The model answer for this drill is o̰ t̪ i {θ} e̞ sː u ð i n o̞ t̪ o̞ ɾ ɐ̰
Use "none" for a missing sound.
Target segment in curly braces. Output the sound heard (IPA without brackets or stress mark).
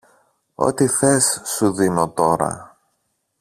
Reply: θ